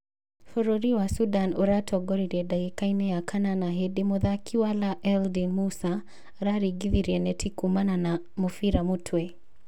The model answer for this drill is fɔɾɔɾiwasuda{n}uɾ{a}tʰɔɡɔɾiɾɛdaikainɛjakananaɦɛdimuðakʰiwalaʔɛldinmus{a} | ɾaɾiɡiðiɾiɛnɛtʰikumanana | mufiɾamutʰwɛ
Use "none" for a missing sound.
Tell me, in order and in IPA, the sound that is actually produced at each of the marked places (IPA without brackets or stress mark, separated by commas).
n, a, a